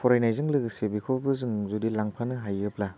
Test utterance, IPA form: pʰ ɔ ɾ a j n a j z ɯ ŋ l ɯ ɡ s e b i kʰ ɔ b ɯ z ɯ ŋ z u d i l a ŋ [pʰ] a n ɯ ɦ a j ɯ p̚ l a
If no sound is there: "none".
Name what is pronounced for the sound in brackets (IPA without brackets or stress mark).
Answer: pʰ